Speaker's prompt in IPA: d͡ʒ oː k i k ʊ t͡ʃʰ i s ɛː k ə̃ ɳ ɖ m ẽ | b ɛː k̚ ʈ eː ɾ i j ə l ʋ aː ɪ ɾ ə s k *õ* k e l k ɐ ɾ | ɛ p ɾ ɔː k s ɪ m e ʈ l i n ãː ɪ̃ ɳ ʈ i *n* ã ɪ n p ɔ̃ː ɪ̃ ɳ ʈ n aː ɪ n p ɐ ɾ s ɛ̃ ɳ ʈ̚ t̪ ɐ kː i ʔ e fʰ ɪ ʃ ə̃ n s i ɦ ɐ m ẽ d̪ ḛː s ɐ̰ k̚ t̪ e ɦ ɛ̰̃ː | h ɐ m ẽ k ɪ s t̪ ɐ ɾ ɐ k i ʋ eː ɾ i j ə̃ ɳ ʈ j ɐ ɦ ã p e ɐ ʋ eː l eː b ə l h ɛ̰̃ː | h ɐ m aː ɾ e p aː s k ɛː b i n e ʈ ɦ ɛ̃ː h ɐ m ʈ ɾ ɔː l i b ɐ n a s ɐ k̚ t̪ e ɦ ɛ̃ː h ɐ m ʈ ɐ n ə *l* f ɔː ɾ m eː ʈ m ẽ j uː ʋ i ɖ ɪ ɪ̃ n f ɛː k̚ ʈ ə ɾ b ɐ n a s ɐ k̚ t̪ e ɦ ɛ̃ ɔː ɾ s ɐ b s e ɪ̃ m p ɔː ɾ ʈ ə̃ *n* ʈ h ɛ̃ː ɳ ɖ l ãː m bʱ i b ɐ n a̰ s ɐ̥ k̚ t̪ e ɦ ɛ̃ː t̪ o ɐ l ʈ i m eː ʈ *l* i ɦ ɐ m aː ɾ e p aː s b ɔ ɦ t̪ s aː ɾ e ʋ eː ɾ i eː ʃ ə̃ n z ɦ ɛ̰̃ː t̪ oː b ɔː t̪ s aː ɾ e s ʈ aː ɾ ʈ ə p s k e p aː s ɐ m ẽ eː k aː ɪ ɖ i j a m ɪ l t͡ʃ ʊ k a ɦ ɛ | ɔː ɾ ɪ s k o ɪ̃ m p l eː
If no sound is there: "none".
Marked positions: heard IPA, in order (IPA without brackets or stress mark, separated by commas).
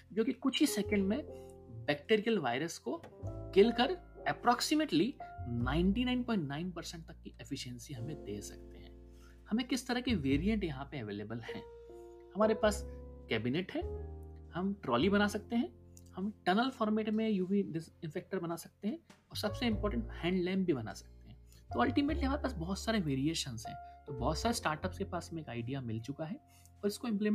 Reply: o, n, l, ɳ, l